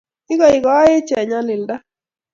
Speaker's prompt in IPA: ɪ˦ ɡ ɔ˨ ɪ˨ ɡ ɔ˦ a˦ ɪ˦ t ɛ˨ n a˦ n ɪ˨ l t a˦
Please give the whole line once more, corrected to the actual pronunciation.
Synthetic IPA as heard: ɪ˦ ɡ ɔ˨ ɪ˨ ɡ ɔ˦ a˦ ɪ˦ t͡ʃ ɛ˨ ɲ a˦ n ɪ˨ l d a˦